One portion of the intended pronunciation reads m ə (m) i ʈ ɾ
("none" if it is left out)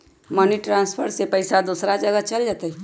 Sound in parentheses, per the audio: n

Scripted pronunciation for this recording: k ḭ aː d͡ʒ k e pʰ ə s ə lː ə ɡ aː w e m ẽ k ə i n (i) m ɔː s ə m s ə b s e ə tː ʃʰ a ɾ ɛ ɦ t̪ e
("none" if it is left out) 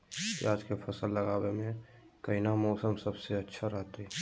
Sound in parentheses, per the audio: a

